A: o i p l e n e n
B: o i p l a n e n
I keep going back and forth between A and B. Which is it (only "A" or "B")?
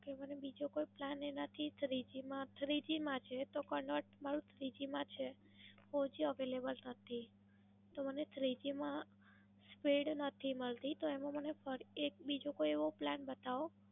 B